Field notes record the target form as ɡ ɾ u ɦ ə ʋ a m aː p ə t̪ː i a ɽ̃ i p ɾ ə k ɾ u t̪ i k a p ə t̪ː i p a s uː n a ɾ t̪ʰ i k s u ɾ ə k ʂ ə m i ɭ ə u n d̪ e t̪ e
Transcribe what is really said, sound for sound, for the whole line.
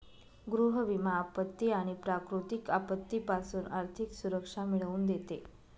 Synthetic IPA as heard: ɡ ɾ u ɦ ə ʋ i m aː p ə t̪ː i a ɽ̃ i p ɾ a k ɾ u t̪ i k a p ə t̪ː i p a s uː n a ɾ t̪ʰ i k s u ɾ ə k ʂ a m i ɭ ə uː n d̪ e t̪ e

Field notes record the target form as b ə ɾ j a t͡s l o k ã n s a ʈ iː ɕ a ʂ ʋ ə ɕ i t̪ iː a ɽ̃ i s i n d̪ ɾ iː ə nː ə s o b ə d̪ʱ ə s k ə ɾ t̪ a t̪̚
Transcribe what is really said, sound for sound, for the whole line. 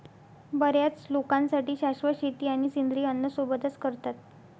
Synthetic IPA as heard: b ə ɾ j a t͡s l o k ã n s a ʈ iː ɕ a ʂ ʋ ə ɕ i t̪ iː a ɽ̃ i s i n d̪ ɾ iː ə nː ə s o b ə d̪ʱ ə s k ə ɾ t̪ a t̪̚

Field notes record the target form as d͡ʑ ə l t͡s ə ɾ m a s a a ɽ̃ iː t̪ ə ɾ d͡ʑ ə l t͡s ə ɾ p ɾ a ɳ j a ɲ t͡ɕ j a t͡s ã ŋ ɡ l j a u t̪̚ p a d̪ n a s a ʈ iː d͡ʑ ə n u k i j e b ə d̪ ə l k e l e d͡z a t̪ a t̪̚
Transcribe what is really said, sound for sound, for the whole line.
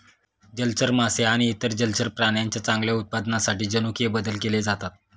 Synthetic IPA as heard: d͡ʑ ə l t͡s ə ɾ m a s e a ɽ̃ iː t̪ ə ɾ d͡ʑ ə l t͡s ə ɾ p ɾ a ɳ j a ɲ t͡ɕ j a t͡s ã ŋ ɡ l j a u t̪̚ p a d̪ n a s a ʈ iː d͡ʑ ə n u k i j e b ə d̪ ə l k e l e d͡z a t̪ a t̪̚

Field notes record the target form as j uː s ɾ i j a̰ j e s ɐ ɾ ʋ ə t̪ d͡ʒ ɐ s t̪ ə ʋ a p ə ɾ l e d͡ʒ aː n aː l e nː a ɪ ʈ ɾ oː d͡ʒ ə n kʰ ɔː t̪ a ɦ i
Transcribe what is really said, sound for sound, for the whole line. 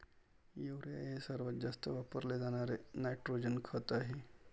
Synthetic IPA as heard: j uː ɾ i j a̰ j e s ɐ ɾ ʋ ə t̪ d͡ʒ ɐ s t̪ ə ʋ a p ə ɾ l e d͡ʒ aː n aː ɾ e n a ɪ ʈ ɾ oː d͡ʒ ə n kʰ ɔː t̪ a ɦ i

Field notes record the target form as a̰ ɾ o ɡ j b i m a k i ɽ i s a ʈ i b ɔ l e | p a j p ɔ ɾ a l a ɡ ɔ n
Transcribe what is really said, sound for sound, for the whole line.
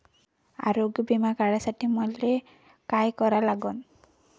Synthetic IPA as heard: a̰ ɾ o ɡ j b i m a k a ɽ a s a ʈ i m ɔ l e | k a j k ɔ ɾ a l a ɡ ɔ n

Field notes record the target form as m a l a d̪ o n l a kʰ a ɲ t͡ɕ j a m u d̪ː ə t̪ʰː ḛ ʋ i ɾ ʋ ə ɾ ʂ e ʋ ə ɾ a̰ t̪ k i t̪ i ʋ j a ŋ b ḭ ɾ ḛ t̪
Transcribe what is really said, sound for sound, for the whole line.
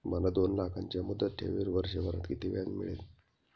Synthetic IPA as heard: m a l a d̪ o n l a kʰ a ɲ t͡ɕ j a m u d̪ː ə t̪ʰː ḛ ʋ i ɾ ʋ ə ɾ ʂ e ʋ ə ɾ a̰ t̪ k i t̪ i ʋ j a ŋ m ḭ ɭ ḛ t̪

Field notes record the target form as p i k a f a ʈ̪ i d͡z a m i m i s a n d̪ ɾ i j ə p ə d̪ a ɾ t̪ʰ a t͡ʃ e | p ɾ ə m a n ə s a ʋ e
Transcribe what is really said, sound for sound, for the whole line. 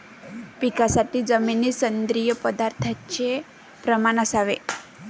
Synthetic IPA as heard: p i k a s a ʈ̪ i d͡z ə m i n i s ə n d̪ ɾ i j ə p ə d̪ a ɾ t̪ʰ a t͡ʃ e | p ɾ ə m a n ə s a ʋ e

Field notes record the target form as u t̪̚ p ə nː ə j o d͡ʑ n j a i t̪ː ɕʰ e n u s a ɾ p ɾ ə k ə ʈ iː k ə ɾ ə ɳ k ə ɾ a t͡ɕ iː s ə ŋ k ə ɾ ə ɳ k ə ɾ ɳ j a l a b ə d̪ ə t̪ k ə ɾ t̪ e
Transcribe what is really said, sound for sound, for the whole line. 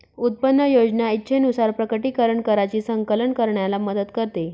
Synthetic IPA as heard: u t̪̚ p ə nː ə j o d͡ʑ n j a i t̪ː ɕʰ e n u s a ɾ p ɾ ə k ə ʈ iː k ə ɾ ə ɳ k ə ɾ a t͡ɕ iː s ə ŋ k ə l ə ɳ k ə ɾ ɳ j a l a m ə d̪ ə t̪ k ə ɾ t̪ e

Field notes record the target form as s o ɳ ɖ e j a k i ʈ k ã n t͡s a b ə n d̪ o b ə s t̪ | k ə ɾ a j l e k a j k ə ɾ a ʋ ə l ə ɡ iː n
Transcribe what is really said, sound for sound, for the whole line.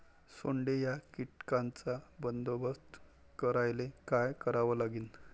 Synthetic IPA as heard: s o ɳ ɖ e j a k i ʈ k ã n t͡s a b ə n d̪ o b ə s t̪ | k ə ɾ a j l e k a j k ə ɾ a ʋ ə l a ɡ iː n

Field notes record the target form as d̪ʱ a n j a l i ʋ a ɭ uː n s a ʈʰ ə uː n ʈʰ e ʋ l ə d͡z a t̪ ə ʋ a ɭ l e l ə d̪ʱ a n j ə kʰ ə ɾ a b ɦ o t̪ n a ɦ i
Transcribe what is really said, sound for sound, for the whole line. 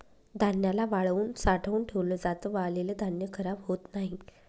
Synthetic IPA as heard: d̪ʱ a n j a l a ʋ a ɭ uː n s a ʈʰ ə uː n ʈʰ e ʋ l ə d͡z a t̪ ə ʋ a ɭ l e l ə d̪ʱ a n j ə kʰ ə ɾ a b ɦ o t̪ n a ɦ i

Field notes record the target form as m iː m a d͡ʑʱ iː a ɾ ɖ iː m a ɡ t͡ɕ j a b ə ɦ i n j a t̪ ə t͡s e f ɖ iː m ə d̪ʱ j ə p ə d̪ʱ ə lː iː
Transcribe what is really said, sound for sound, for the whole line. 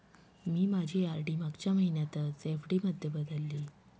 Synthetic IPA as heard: m iː m a d͡ʑʱ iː a ɾ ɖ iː m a ɡ t͡ɕ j a m ə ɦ i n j a t̪ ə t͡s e f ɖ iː m ə d̪ʱ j ə b ə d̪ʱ ə lː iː

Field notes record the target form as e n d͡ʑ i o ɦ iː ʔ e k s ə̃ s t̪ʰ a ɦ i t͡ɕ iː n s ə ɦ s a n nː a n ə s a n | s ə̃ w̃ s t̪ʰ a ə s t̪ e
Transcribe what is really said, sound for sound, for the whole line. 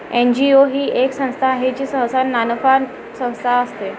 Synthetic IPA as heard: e n d͡ʑ i o ɦ iː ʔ e k s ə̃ s t̪ʰ a ɦ e t͡ɕ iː s ə ɦ s a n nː a n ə f a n | s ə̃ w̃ s t̪ʰ a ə s t̪ e

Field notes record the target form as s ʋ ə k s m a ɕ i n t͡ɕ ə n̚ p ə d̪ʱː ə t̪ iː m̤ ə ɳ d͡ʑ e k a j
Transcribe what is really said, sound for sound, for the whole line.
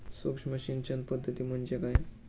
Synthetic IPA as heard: s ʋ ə k ʂ m ə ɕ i n t͡ɕ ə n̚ p ə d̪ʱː ə t̪ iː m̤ ə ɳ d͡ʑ e k a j

